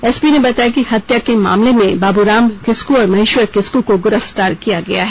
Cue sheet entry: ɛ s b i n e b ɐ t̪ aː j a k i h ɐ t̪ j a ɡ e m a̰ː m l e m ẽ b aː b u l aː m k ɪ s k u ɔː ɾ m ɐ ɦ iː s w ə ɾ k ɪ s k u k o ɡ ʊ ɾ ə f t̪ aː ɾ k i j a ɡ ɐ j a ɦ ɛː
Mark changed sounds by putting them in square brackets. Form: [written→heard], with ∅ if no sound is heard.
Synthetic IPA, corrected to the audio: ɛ s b i n e b ɐ t̪ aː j a k i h ɐ t̪ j a [ɡ→k] e m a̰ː m l e m ẽ b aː b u [l→ɾ] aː m k ɪ s k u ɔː ɾ m ɐ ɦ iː [s→ʃ] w ə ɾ k ɪ s k u k o ɡ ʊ ɾ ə f t̪ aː ɾ k i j a ɡ ɐ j a ɦ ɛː